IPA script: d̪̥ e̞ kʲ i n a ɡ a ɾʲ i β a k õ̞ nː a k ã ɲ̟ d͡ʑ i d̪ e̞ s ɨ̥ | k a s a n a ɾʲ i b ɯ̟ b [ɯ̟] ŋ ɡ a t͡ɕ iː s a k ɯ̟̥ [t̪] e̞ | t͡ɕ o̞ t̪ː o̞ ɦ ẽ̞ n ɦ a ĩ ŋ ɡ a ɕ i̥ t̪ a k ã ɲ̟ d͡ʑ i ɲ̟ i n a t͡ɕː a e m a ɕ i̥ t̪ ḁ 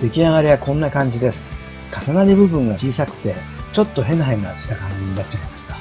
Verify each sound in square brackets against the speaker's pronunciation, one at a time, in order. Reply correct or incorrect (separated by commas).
incorrect, correct